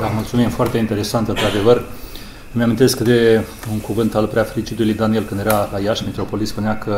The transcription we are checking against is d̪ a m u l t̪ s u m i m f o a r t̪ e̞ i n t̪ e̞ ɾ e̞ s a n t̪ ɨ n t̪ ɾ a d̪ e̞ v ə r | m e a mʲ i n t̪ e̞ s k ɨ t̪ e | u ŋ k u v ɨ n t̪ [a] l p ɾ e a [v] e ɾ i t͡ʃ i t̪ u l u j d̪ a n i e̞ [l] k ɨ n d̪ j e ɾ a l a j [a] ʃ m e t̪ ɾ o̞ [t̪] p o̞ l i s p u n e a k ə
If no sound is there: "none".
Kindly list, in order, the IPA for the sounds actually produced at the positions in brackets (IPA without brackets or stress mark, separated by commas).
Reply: a, f, l, a, none